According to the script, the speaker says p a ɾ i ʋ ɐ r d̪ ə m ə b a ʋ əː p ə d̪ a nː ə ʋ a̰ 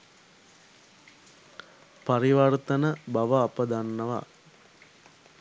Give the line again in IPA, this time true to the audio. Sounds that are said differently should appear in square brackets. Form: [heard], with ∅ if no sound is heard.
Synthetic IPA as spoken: p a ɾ i ʋ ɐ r [t̪] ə [n] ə b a ʋ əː p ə d̪ a nː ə ʋ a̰